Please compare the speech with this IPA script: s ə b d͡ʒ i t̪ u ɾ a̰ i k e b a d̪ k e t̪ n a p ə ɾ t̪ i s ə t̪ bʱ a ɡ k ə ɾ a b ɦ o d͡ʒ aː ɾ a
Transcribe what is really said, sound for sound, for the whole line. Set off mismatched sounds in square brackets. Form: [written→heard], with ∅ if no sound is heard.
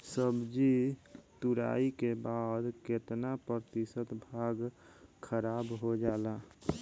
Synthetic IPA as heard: s ə b d͡ʒ i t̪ u ɾ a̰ i k e b a d̪ k e t̪ n a p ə ɾ t̪ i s ə t̪ bʱ a ɡ [k→kʰ] ə ɾ a b ɦ o d͡ʒ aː [ɾ→l] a